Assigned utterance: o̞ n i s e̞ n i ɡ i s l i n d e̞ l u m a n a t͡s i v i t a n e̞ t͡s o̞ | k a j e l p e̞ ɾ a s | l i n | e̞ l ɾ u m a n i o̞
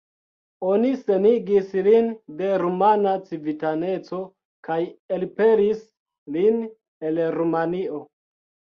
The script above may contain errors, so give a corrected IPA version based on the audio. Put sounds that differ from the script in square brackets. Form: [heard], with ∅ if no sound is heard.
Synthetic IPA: o̞ n i s e̞ n i ɡ i s l i n d e̞ [ɾ] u m a n a t͡s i v i t a n e̞ t͡s o̞ | k a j e l p e̞ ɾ [i] s | l i n | e̞ l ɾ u m a n i o̞